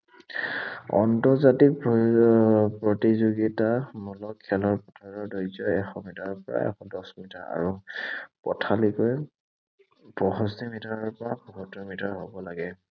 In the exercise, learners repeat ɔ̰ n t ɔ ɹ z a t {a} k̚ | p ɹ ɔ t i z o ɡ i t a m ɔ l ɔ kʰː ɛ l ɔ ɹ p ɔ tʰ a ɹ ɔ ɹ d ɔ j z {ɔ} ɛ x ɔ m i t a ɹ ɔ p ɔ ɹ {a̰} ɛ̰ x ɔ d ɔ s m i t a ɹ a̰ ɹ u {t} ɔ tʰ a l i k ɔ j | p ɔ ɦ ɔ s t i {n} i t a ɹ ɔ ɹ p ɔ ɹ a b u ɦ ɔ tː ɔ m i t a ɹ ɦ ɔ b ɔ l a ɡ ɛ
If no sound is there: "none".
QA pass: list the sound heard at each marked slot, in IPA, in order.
i, ɔ, a̰, p, m

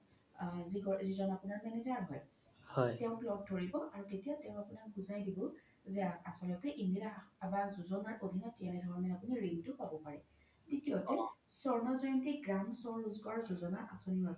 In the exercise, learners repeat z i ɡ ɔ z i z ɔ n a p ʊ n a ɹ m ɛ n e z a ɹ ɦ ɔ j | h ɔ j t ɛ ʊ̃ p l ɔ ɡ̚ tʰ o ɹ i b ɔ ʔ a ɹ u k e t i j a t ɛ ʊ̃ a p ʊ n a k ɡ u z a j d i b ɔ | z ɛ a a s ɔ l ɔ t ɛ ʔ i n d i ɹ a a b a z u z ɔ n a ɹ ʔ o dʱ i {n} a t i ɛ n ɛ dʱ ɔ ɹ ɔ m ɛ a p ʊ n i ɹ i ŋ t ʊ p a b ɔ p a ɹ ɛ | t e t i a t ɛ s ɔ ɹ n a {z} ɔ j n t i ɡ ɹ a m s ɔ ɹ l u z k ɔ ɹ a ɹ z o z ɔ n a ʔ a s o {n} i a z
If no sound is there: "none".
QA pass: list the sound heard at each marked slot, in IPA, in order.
n, z, n

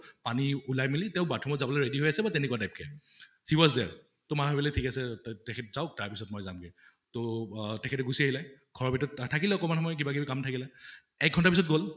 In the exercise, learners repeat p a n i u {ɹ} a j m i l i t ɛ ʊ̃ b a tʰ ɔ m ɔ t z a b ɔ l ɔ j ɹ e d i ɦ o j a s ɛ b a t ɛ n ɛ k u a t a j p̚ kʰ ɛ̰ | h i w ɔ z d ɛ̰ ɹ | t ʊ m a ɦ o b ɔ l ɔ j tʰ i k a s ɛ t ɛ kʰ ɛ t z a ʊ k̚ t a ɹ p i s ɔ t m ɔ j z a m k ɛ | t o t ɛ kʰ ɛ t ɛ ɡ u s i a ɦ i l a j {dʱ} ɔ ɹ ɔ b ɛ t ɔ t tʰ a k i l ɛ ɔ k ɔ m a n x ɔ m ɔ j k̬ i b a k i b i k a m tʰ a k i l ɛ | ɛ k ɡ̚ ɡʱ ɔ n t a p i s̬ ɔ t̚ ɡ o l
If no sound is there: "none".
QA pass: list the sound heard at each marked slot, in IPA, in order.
l, ɡʱ

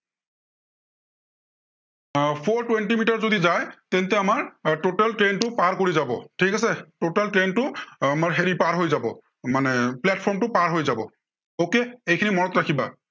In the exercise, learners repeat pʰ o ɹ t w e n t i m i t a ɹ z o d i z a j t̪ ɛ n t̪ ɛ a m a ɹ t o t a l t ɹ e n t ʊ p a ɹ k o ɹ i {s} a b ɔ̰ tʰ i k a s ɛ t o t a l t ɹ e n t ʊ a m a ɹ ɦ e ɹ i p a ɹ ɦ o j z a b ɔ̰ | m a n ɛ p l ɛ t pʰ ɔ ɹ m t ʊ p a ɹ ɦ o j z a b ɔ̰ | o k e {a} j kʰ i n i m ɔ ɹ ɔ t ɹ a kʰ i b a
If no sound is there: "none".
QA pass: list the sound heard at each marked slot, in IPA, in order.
z, e

